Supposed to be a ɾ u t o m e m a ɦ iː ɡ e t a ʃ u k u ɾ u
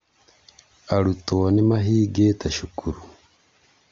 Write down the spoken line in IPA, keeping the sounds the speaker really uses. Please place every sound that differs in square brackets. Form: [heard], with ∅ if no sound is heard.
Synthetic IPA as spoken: a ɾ u t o [n] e m a ɦ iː ɡ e t a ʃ u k u ɾ u